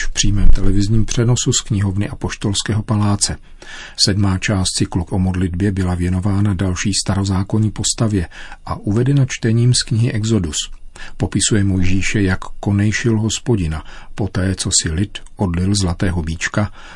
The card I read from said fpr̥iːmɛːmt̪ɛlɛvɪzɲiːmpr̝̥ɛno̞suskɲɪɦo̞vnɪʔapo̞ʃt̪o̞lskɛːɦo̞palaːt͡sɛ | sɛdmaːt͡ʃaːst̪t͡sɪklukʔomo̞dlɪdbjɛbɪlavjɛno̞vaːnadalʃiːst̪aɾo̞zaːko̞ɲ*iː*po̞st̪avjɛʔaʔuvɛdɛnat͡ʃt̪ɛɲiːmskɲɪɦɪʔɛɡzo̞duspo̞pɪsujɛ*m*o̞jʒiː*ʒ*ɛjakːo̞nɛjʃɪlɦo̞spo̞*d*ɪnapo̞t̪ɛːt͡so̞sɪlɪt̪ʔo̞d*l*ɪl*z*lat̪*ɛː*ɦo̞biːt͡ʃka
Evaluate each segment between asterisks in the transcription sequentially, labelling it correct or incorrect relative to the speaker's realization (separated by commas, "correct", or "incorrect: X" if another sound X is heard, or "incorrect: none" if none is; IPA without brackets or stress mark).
correct, correct, incorrect: ʃ, incorrect: ɟ, correct, correct, correct